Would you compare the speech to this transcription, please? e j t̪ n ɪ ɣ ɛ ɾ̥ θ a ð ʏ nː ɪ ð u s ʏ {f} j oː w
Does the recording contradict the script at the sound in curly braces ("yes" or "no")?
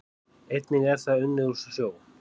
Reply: yes